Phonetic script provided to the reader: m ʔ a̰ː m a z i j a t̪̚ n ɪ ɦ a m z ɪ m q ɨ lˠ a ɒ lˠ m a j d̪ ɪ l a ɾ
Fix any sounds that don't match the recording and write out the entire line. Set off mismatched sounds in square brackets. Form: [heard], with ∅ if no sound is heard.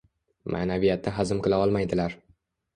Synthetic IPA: m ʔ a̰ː [n] a [v] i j a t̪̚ n ɪ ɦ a [∅] z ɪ m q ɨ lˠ a ɒ lˠ m a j d̪ ɪ l a ɾ

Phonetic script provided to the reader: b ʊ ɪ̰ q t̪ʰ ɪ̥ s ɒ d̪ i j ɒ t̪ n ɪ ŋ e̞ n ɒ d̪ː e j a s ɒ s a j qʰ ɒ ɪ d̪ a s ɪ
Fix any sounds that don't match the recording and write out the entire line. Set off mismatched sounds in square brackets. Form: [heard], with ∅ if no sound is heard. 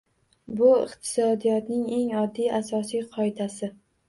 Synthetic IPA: b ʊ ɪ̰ q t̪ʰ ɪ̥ s ɒ d̪ i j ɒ t̪ n ɪ ŋ e̞ [ŋ] ɒ d̪ː [i] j a s ɒ s [i] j qʰ ɒ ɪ d̪ a s ɪ

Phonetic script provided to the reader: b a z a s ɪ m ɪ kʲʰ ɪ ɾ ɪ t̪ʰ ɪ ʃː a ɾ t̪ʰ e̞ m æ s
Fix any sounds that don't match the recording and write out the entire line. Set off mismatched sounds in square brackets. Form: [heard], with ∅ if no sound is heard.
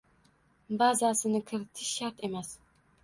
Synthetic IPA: b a z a s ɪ [n] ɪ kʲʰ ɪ ɾ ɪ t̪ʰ ɪ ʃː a ɾ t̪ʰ e̞ m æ s

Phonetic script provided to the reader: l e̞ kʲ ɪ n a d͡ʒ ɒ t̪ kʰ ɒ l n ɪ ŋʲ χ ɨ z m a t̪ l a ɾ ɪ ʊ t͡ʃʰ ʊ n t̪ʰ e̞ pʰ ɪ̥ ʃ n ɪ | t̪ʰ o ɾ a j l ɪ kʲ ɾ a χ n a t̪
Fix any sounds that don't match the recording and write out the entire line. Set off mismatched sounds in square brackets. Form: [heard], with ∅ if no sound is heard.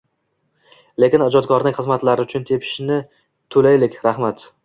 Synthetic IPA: l e̞ kʲ ɪ n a d͡ʒ ɒ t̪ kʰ ɒ [ɾ] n ɪ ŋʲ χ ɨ z m a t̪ l a ɾ ɪ ʊ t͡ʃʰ ʊ n t̪ʰ e̞ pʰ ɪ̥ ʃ n ɪ | t̪ʰ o [l] a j l ɪ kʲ ɾ a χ [m] a t̪

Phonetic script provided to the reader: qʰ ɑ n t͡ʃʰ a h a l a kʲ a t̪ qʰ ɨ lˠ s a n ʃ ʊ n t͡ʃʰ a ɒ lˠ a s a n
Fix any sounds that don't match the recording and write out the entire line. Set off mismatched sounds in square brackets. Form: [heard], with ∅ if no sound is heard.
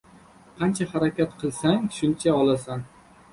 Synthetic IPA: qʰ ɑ n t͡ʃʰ a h a [ɾ] a kʲ a t̪ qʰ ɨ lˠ s a [ŋ] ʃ ʊ n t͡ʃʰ a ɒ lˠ a s a n

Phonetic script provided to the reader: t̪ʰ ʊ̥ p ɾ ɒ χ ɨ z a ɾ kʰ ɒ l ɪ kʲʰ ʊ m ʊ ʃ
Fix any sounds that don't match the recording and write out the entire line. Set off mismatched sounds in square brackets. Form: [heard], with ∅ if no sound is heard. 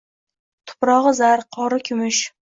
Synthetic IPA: t̪ʰ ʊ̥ p ɾ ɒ [ʁ] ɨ z a ɾ [qʰ] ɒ [ɾ] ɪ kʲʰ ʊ m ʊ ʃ

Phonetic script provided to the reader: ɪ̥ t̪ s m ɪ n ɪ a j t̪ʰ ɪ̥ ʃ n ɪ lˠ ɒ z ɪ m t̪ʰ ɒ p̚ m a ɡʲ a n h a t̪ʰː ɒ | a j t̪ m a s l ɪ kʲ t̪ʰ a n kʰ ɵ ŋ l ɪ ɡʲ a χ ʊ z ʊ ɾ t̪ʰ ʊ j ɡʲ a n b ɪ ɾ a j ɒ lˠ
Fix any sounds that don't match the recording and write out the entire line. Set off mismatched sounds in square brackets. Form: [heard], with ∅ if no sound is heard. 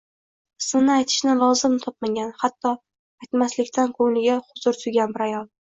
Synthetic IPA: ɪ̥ [∅] s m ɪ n ɪ a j t̪ʰ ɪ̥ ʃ n ɪ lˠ ɒ z ɪ m t̪ʰ ɒ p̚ m a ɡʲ a n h a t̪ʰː ɒ | a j t̪ m a s l ɪ kʲ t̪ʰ a n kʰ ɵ ŋ l ɪ ɡʲ a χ ʊ z ʊ ɾ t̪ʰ ʊ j ɡʲ a n b ɪ ɾ a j ɒ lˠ

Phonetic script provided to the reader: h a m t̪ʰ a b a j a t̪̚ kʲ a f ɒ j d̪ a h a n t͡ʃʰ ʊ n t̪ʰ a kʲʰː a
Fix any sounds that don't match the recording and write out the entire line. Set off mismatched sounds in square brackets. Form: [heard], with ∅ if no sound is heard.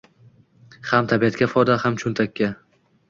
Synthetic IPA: h a m t̪ʰ a b [i] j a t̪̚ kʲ a f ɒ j d̪ a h a [m] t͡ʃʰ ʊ n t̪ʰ a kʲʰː a

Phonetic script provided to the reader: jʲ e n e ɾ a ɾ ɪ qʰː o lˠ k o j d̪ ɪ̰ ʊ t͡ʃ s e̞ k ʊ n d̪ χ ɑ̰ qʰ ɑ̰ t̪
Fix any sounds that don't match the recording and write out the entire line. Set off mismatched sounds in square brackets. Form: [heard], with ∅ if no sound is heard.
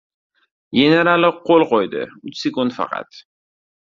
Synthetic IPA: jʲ e n e ɾ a [l] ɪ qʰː o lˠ [q] o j d̪ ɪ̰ ʊ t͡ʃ s e̞ k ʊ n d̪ [f] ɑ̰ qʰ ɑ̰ t̪

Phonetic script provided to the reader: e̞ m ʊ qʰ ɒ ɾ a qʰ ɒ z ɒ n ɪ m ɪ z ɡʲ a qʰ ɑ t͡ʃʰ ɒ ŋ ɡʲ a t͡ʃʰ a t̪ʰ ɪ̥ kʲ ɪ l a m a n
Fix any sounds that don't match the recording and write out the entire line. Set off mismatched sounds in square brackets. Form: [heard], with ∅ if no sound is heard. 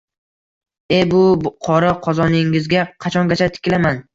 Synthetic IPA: e̞ [b] ʊ qʰ ɒ ɾ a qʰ ɒ z ɒ n ɪ [ŋ] ɪ z ɡʲ a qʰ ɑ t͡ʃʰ ɒ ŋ ɡʲ a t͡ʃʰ a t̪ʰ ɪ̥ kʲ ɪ l a m a n

